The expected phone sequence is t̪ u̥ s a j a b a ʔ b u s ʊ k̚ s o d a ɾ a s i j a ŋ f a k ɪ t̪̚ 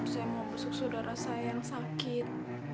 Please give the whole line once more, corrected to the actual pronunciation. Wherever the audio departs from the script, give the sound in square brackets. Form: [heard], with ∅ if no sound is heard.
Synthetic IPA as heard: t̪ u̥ s a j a [m] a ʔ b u s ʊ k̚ s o d a ɾ a s [a] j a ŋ [s] a k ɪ t̪̚